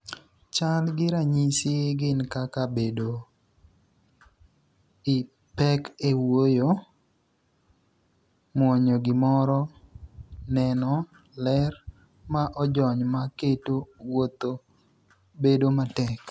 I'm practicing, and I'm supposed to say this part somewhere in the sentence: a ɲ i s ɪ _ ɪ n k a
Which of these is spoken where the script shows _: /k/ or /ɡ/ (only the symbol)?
ɡ